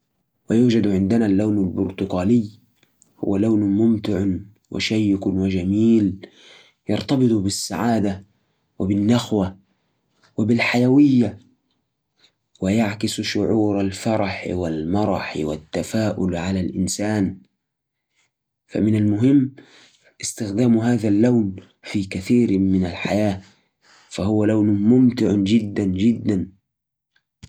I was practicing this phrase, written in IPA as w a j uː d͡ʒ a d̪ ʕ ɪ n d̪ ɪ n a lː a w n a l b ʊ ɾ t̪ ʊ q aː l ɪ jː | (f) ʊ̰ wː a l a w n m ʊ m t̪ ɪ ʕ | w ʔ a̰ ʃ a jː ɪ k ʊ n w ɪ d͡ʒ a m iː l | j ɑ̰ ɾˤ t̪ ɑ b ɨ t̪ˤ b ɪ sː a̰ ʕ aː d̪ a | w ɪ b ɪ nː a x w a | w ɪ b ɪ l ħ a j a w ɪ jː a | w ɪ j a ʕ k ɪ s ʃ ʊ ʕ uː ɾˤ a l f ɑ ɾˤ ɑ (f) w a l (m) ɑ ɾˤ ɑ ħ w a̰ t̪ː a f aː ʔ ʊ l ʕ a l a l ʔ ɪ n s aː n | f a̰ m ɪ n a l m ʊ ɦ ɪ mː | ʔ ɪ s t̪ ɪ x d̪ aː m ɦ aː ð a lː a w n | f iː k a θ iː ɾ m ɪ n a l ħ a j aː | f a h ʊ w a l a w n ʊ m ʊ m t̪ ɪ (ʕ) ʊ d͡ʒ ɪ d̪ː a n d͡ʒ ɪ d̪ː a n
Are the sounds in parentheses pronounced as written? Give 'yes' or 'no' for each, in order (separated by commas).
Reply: no, no, yes, yes